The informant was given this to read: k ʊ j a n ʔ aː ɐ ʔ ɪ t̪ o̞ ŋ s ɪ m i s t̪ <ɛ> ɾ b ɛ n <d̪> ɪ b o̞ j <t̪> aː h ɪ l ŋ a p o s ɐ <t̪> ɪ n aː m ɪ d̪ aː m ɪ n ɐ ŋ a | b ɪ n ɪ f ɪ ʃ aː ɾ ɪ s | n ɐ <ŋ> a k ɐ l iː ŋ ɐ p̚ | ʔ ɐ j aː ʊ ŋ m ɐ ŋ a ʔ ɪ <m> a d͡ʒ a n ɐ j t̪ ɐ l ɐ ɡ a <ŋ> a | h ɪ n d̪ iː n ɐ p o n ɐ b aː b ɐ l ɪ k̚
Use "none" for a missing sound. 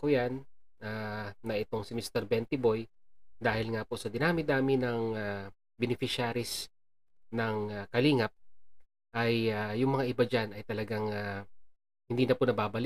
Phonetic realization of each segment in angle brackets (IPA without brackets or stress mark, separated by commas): ɛ, t̪, d̪, d̪, ŋ, b, ŋ